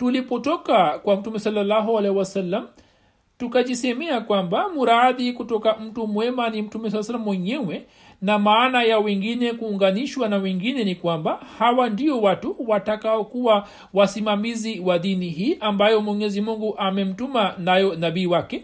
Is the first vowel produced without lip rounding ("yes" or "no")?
no